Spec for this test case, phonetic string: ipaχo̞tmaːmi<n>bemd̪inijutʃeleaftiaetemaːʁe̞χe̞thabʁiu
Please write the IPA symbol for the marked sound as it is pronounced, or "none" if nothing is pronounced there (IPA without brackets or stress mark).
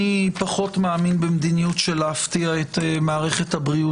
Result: n